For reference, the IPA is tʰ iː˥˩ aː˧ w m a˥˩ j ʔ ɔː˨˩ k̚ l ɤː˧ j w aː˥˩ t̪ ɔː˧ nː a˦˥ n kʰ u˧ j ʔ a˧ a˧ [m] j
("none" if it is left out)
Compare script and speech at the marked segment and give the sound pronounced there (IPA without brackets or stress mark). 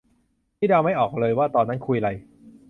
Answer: none